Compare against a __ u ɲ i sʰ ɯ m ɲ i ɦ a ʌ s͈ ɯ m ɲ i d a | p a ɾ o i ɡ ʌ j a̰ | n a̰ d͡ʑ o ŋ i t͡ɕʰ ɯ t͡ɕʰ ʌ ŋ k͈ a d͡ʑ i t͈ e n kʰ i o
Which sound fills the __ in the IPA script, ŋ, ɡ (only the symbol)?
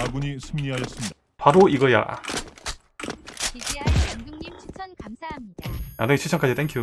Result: ɡ